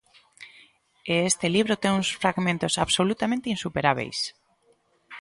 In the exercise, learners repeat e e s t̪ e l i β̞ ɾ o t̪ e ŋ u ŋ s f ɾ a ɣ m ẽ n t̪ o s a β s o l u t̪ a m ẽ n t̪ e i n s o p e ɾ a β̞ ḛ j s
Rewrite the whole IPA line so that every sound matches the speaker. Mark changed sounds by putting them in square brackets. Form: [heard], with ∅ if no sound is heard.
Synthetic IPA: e e s t̪ e l i β̞ ɾ o t̪ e ŋ u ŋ s f ɾ a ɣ m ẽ n t̪ o s a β s o l u t̪ a m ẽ n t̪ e i n s [u] p e ɾ a β̞ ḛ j s